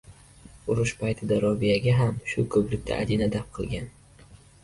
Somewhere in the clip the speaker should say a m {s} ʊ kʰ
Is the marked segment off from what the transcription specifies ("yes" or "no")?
yes